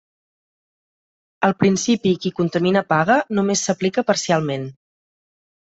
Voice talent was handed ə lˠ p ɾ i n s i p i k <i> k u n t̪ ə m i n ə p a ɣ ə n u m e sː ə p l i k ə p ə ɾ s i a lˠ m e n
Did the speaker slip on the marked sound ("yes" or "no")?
no